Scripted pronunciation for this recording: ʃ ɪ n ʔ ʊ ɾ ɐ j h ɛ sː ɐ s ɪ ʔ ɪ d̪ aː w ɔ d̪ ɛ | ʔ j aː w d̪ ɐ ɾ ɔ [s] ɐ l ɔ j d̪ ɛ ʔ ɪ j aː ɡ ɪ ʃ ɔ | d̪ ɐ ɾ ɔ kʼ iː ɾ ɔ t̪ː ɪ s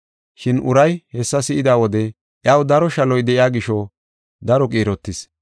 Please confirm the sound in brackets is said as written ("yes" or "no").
no